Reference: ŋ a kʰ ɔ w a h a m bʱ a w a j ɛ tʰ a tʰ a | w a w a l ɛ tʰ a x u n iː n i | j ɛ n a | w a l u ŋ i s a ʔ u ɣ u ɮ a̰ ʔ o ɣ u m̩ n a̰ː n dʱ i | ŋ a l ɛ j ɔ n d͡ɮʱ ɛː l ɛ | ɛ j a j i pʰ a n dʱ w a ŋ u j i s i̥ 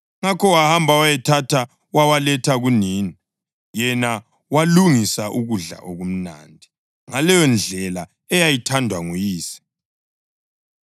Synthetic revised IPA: ŋ a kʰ ɔ w a h a m bʱ a w a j ɛ tʰ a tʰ a | w a w a l ɛ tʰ a ɣ u n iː n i | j ɛ n a | w a l u ŋ i s a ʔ u ɣ u ɮ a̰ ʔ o ɣ u m̩ n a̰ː n dʱ i | ŋ a l ɛ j ɔ n d͡ɮʱ ɛ l a | ɛ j a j i tʰ a n dʱ w a ŋ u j iː s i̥